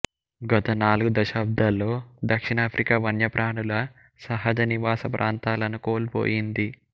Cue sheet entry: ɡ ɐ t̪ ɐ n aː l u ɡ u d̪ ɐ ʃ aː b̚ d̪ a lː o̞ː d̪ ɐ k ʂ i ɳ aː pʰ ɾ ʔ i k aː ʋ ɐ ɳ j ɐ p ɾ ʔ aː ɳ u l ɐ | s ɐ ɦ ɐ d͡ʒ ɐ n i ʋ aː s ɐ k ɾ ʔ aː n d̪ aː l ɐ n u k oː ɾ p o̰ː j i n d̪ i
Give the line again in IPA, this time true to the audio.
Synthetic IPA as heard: ɡ ɐ t̪ ɐ n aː l u ɡ u d̪ ɐ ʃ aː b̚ d̪ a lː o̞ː d̪ ɐ k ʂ i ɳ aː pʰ ɾ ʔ i k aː ʋ ɐ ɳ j ɐ p ɾ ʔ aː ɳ u l ɐ | s ɐ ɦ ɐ d͡ʒ ɐ n i ʋ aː s ɐ p ɾ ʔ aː n t̪ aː l ɐ n u k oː l p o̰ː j i n d̪ i